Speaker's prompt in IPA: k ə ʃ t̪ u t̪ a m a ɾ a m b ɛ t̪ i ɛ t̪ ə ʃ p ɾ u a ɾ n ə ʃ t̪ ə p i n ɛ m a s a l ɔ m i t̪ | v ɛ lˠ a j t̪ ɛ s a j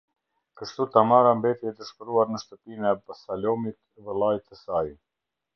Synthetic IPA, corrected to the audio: k ə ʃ t̪ u t̪ a m a ɾ a m b ɛ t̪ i ɛ t̪ ə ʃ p ɾ u a ɾ n ə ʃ t̪ ə p i n ɛ b a s a l ɔ m i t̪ | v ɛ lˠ a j t̪ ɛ s a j